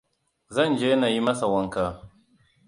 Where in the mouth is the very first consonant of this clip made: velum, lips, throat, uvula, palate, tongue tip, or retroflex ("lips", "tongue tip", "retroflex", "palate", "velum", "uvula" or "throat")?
tongue tip